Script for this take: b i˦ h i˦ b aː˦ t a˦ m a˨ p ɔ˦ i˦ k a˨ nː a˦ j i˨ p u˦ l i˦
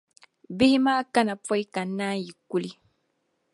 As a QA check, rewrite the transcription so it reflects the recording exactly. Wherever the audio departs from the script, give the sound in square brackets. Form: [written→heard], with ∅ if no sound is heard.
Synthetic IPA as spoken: b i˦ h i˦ [b→m] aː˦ [t→k] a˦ [m→n] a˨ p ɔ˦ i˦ k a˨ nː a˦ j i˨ [p→k] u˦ l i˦